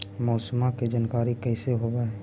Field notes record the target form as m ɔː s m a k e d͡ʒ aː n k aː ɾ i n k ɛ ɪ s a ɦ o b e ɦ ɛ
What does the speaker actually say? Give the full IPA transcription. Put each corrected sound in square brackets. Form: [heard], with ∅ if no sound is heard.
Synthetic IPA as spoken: m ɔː s m a k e d͡ʒ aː n k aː ɾ i [∅] k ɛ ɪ s [e] ɦ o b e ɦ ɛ

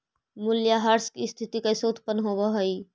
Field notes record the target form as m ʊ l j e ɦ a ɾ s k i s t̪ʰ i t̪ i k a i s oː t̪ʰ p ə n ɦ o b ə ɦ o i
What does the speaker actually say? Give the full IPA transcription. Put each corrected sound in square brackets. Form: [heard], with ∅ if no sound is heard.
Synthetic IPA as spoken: m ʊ l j [a] ɦ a ɾ s k i s t̪ʰ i t̪ i k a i s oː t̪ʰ p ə n ɦ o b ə ɦ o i

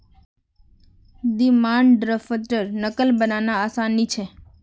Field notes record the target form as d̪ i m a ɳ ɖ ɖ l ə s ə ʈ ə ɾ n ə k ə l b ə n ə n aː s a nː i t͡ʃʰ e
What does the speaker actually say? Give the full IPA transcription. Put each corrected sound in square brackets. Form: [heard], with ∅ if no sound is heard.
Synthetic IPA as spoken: d̪ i m a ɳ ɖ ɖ [ɾ] ə [f] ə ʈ ə ɾ n ə k ə l b ə n [a] n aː s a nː i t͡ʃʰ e

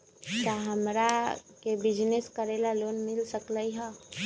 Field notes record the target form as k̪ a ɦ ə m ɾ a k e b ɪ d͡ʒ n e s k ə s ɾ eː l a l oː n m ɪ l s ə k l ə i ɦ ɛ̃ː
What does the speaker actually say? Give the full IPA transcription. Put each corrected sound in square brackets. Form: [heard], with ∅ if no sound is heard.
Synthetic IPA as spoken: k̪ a ɦ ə m ɾ a k e b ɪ d͡ʒ n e s k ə [∅] ɾ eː l a l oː n m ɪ l s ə k l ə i ɦ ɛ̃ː

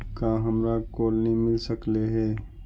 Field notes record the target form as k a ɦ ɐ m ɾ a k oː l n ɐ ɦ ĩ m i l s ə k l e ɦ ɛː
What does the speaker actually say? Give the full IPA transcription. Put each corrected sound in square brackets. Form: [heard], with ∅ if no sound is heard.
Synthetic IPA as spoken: k a ɦ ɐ m ɾ a k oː l n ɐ ɦ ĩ m [ɪ] l s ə k l e ɦ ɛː

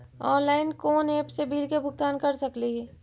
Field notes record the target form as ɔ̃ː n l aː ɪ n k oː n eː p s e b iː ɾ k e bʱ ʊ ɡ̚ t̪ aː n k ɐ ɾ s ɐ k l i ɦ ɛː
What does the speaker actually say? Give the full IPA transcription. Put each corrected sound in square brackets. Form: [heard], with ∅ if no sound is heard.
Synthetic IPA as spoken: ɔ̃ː n l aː ɪ n k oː n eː p s e b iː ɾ k e bʱ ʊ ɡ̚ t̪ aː n k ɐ ɾ s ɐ k l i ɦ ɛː

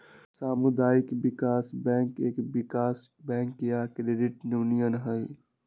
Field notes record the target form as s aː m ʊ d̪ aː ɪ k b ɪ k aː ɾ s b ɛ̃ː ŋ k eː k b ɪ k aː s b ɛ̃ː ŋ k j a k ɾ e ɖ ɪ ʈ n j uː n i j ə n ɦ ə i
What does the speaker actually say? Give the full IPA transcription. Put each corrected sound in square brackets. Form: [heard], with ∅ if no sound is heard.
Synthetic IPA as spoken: s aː m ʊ d̪ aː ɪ k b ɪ k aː [∅] s b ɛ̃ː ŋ k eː k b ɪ k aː s b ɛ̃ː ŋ k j a k ɾ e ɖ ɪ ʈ n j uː n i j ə n ɦ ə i

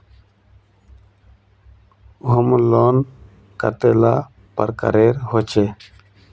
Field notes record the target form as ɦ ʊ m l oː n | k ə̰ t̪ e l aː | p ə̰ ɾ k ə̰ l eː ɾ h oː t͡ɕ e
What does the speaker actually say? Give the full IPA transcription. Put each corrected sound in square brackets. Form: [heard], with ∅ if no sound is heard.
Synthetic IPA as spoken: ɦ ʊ m l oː n | k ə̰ t̪ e l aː | p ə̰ ɾ k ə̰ [ɾ] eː ɾ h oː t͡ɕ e

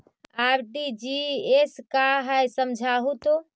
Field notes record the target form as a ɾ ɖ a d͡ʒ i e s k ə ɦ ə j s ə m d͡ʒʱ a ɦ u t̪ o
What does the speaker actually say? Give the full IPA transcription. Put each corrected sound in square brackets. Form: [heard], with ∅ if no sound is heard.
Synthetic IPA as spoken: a ɾ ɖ [i] d͡ʒ i e s k [a] ɦ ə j s ə m d͡ʒʱ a ɦ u t̪ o

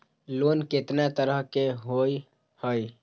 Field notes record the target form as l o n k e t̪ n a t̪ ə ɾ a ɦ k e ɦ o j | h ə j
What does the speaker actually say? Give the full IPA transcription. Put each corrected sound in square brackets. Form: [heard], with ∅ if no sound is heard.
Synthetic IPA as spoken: l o n k e t̪ n a t̪ ə ɾ [ə] ɦ k e ɦ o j | h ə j

